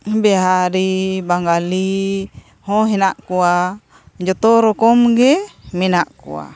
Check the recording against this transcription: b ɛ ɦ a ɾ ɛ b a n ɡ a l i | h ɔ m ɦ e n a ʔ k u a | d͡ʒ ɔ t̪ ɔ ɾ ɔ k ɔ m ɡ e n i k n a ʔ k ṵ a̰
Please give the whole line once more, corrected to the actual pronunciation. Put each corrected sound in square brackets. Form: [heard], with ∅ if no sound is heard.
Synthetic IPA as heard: b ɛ ɦ a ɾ [i] b a [ŋ] ɡ a l i | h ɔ [∅] ɦ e n a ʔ k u a | d͡ʒ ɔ t̪ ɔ ɾ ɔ k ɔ m ɡ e [m] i [∅] n a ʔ k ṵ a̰